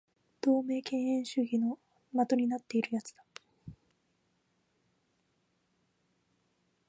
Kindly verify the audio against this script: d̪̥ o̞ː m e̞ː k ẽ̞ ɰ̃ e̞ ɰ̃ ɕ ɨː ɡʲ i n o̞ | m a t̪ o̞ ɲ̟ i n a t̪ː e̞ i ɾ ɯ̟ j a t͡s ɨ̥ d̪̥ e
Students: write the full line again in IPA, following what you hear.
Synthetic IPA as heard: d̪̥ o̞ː m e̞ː k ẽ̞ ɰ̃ ẽ̞ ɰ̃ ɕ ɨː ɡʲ i n o̞ | m a t̪ o̞ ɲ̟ i n a t̪ː e̞ i ɾ ɯ̟ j a t͡s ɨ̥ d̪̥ a

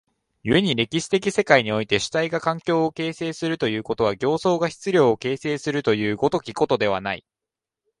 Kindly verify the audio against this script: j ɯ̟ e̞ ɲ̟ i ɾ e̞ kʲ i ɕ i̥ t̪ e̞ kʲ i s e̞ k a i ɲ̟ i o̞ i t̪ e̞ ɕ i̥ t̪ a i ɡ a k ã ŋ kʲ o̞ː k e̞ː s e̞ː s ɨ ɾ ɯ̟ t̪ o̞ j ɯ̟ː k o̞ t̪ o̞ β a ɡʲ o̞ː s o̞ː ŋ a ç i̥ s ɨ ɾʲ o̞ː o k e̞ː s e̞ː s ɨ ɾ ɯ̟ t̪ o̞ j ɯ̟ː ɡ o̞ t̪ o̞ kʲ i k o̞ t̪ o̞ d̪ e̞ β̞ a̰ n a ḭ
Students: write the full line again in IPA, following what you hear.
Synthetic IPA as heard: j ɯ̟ e̞ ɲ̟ i ɾ e̞ kʲ i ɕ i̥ t̪ e̞ kʲ i s e̞ k a i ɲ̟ i o̞ i t̪ e̞ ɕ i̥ t̪ a i ɡ a k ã ŋ kʲ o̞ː k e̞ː s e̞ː s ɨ ɾ ɯ̟ t̪ o̞ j ɯ̟ː k o̞ t̪ o̞ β a ɡʲ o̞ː s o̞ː ɡ a ç i̥ t͡s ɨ ɾʲ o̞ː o k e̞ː s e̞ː s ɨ ɾ ɯ̟ t̪ o̞ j ɯ̟ː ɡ o̞ t̪ o̞ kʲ i k o̞ t̪ o̞ d̪ e̞ β̞ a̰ n a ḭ

